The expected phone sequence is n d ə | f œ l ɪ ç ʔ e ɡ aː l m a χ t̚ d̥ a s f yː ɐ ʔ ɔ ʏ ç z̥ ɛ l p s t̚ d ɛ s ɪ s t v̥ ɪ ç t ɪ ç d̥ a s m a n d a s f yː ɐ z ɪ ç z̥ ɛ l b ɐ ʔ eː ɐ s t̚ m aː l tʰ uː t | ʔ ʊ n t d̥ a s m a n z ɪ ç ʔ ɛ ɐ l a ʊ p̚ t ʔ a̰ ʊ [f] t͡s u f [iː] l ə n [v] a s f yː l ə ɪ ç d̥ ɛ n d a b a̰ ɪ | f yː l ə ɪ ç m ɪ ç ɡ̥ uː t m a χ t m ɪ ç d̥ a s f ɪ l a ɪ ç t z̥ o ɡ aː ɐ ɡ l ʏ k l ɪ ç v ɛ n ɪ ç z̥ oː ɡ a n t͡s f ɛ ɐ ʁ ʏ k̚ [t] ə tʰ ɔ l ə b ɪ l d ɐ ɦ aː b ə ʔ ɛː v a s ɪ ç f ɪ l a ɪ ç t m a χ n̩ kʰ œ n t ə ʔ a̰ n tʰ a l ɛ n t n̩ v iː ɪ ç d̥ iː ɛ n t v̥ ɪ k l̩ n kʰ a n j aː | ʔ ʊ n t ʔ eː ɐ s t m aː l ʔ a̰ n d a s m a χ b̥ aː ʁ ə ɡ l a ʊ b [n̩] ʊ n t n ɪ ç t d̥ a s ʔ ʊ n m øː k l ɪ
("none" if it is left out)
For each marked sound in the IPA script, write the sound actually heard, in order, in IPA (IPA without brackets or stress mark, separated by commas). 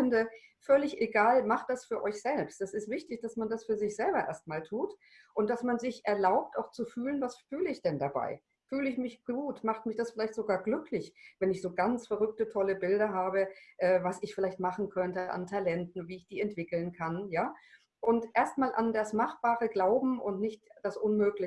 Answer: x, yː, v, t, m̩